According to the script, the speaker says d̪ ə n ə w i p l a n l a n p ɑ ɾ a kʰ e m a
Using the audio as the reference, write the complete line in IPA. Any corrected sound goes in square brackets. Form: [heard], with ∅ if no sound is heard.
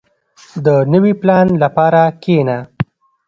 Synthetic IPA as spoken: d̪ ə n ə w i p l [ɑ] n l a [∅] p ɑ ɾ a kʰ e [n] a